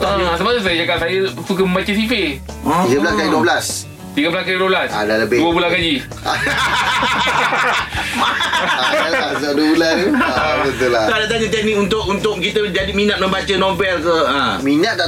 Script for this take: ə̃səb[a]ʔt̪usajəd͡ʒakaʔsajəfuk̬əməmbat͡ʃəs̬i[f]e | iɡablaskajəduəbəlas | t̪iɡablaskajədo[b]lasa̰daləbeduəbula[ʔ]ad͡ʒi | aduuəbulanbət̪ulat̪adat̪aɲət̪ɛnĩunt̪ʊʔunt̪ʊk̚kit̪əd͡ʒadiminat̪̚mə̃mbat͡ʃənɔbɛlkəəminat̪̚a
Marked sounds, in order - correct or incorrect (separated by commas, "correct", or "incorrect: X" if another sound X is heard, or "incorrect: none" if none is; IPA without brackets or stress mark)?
correct, correct, correct, incorrect: k